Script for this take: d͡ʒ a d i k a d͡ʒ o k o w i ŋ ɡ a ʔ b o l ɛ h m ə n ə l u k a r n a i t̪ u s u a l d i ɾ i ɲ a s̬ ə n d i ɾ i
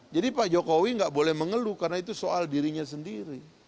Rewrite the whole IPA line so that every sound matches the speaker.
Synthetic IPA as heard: d͡ʒ a d i p a d͡ʒ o k o w i ŋ ɡ a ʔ b o l ɛ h m ə ŋ ə l u k a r n a i t̪ u s o a l d i ɾ i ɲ a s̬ ə n d i ɾ i

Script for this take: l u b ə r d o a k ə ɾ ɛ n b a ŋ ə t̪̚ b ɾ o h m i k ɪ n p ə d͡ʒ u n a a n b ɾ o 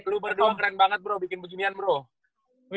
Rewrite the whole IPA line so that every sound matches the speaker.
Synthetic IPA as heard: l u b ə r d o a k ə ɾ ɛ n b a ŋ ə t̪̚ b ɾ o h b i k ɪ n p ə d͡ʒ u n i a n b ɾ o

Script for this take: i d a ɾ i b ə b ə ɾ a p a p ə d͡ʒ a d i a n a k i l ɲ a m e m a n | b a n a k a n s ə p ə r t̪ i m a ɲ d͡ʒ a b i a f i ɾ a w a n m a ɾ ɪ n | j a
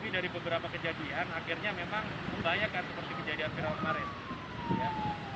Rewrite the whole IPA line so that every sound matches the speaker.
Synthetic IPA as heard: i d a ɾ i b ə b ə ɾ a p a k ə d͡ʒ a d i a n a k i r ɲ a m e m a ŋ | b a ɲ a k a n s ə p ə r t̪ i m ə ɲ d͡ʒ a d i a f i ɾ a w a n m a ɾ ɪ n | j a

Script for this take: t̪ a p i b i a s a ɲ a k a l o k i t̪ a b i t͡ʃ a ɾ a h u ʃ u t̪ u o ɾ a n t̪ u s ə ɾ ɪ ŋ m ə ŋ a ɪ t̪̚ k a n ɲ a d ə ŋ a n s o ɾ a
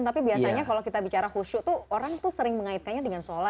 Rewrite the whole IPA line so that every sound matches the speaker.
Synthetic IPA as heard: t̪ a p i b i a s a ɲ a k a l o k i t̪ a b i t͡ʃ a ɾ a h u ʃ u t̪ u o ɾ a ŋ t̪ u s ə ɾ ɪ ŋ m ə ŋ a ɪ t̪̚ k a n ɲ a d ə ŋ a n s o l a

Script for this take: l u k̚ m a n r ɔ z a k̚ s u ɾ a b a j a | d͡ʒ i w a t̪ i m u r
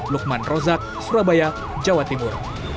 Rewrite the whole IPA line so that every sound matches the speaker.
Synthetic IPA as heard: l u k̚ m a n r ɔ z a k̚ s u ɾ a b a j a | d͡ʒ a w a t̪ i m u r

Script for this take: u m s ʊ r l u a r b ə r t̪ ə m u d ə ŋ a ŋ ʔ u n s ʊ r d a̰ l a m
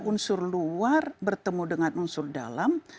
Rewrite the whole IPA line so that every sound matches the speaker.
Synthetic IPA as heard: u n s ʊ r l u a r b ə r t̪ ə m u d ə ŋ a n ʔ u n s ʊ r d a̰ l a m

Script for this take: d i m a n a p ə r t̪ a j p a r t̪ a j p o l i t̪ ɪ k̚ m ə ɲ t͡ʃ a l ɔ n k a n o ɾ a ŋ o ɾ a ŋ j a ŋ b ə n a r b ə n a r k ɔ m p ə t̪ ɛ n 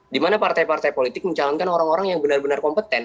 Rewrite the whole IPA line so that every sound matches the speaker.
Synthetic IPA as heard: d i m a n a p a r t̪ a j p a r t̪ a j p o l i t̪ ɪ k̚ m ə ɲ t͡ʃ a l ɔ n k a n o ɾ a ŋ o ɾ a ŋ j a ŋ b ə n a r b ə n a r k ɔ m p ə t̪ ɛ n

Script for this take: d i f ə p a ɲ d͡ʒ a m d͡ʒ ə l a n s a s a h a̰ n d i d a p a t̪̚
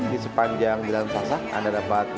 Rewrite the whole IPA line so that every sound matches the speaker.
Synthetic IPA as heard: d i s ə p a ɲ d͡ʒ a ŋ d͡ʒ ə l a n s a s a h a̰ n d a d a p a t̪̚

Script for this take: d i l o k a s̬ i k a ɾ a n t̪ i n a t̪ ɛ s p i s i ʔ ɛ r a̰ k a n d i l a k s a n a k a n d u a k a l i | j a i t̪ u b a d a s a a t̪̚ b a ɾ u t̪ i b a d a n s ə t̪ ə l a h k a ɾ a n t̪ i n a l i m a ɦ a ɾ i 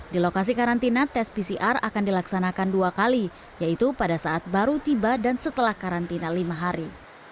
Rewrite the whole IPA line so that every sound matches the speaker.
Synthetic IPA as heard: d i l o k a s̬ i k a ɾ a n t̪ i n a t̪ ɛ s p i s i ʔ a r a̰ k a n d i l a k s a n a k a n d u a k a l i | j a i t̪ u p a d a s a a t̪̚ b a ɾ u t̪ i b a d a n s ə t̪ ə l a h k a ɾ a n t̪ i n a l i m a ɦ a ɾ i

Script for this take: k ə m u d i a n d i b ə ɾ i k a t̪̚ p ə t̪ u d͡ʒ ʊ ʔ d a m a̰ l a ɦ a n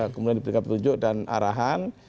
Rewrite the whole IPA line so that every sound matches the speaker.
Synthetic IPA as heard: k ə m u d i a n d i p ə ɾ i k a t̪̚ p ə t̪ u d͡ʒ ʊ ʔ d a n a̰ ɾ a ɦ a n

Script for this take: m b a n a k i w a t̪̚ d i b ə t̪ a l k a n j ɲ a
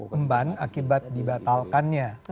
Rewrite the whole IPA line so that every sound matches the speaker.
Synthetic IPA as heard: m b a n a k i b a t̪̚ d i b a t̪ a l k a n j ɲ a

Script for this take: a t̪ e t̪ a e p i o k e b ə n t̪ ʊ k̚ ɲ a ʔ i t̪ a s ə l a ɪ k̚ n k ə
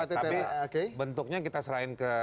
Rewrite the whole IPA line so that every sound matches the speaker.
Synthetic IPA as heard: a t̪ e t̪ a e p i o k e b ə n t̪ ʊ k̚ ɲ a k i t̪ a s ə ɾ a ɪ n k ə

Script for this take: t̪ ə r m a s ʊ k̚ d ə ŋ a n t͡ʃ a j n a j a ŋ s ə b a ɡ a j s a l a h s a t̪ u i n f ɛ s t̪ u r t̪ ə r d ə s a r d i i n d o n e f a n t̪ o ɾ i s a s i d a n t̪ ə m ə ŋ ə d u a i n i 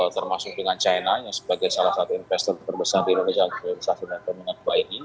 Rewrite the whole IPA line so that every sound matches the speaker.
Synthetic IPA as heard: t̪ ə r m a s ʊ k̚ d ə ŋ a n t͡ʃ a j n a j a ŋ s ə b a ɡ a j s a l a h s a t̪ u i n f ɛ s t̪ ɔ r t̪ ə r b ə s a r d i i n d o n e s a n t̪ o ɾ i s a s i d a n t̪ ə m ə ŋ ə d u a i n i

